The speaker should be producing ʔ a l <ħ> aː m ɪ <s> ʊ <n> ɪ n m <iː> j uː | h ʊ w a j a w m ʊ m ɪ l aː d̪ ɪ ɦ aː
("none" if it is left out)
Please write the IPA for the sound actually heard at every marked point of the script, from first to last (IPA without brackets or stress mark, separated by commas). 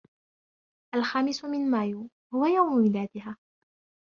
x, s, m, aː